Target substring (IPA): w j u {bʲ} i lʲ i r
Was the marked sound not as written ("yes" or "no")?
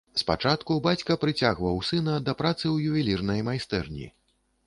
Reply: yes